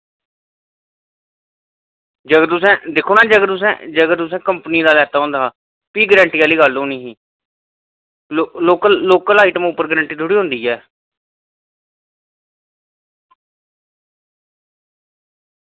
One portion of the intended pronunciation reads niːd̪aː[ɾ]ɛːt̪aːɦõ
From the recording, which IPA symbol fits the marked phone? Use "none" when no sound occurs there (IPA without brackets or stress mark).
l